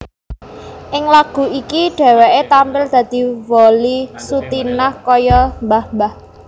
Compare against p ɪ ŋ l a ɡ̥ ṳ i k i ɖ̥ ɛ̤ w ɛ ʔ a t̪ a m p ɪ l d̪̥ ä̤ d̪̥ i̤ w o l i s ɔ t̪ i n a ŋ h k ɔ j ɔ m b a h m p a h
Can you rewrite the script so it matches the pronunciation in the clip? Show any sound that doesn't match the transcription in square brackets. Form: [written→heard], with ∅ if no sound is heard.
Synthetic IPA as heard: [p→ʔ] ɪ ŋ l a ɡ̥ ṳ i k i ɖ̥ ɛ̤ w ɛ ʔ [a→e] t̪ a m p ɪ l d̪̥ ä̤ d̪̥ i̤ w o l i s [ɔ→u] t̪ i n a [ŋ→∅] h k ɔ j ɔ m b a h m [p→b] a h

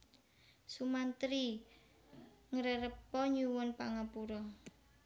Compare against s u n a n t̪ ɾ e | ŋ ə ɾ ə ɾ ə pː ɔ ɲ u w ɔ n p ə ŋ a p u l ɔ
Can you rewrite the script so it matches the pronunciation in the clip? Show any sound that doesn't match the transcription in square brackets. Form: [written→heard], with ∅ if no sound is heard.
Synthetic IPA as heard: s u [n→m] a n t̪ ɾ [e→i] | ŋ ə ɾ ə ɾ ə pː ɔ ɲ u w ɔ n p [ə→a] ŋ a p u [l→ɾ] ɔ

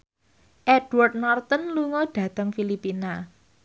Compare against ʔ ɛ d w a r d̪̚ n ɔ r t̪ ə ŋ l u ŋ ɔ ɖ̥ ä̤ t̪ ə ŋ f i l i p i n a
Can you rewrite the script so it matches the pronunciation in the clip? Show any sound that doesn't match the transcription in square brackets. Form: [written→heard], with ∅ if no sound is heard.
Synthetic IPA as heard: ʔ ɛ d w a r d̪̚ n ɔ r t̪ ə [ŋ→n] l u ŋ ɔ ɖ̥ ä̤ t̪ ə ŋ f i l i p i n a

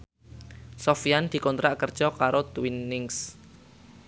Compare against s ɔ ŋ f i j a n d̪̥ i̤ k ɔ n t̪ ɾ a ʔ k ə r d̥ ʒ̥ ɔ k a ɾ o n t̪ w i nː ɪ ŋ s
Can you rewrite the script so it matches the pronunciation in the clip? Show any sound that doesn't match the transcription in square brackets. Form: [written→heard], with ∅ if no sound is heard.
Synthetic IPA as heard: s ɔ [ŋ→∅] f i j a n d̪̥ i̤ k ɔ n t̪ ɾ a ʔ k ə r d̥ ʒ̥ ɔ k a ɾ o [n→∅] t̪ w i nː ɪ ŋ s

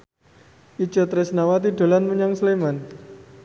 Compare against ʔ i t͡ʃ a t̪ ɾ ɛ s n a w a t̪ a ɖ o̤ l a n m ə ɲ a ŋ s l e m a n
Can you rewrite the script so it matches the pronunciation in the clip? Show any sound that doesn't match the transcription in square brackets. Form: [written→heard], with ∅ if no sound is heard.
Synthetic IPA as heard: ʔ i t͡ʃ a t̪ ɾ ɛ s n a w a t̪ [a→i] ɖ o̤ l a n m ə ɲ a ŋ s l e m a n

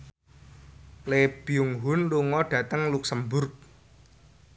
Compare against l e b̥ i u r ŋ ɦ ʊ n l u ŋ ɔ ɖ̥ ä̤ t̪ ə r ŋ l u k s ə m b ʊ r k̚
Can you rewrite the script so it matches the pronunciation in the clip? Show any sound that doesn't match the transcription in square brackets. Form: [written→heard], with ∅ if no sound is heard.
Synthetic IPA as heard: l e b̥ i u [r→∅] ŋ ɦ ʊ n l u ŋ ɔ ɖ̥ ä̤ t̪ ə [r→∅] ŋ l u k s ə m b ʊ r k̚

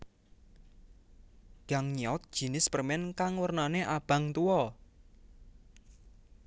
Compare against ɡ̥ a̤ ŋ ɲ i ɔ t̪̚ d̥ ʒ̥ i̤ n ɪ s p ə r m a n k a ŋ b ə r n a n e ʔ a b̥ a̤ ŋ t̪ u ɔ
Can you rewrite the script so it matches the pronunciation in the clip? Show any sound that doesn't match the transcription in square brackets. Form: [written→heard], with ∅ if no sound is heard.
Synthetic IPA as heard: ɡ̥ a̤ ŋ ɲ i ɔ t̪̚ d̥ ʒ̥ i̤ n ɪ s p ə r m [a→ɛ] n k a ŋ [b→w] ə r n a n e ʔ a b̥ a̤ ŋ t̪ u ɔ

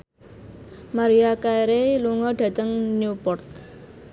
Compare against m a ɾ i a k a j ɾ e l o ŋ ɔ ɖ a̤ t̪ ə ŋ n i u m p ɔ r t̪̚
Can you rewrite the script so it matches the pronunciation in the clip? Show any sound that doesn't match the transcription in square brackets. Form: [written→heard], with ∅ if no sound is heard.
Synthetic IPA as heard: m a ɾ i a k a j ɾ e l [o→u] ŋ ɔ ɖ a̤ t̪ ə ŋ n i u [m→∅] p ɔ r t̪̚

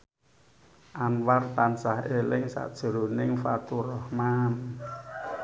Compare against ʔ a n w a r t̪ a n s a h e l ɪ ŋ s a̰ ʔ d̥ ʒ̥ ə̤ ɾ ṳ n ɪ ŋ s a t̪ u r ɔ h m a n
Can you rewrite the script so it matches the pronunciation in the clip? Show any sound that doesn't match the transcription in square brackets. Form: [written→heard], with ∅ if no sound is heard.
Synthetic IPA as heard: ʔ a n w a r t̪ a n s a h e l ɪ ŋ s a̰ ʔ d̥ ʒ̥ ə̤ ɾ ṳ n ɪ ŋ [s→f] a t̪ u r ɔ h m a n

